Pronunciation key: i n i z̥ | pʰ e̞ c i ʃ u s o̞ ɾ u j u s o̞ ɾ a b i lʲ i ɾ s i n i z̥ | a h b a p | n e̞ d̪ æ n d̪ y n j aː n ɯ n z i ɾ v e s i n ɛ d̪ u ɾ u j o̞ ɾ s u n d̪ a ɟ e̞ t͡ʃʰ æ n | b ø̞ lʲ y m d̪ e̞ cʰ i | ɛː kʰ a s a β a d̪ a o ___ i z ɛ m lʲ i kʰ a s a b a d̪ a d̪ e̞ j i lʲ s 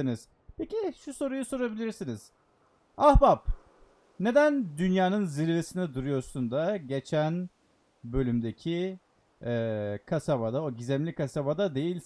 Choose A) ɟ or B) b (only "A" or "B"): A